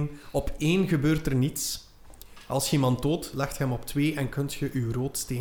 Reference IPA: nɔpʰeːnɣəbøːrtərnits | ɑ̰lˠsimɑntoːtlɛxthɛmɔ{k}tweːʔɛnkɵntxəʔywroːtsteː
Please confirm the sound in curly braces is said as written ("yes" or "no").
no